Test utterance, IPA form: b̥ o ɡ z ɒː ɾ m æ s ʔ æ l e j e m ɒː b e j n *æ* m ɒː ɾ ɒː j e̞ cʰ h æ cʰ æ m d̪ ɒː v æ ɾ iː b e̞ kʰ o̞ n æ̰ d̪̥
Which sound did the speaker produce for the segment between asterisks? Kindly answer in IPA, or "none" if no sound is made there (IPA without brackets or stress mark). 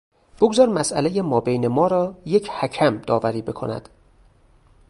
e